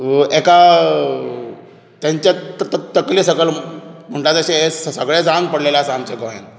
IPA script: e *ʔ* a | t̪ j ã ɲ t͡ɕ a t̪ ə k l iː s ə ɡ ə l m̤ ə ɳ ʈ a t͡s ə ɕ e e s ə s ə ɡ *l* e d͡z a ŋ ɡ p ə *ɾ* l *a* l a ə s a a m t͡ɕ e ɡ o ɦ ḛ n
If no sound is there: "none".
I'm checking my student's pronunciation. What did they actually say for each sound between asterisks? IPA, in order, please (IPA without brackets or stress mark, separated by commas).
k, ɭ, ɽ, e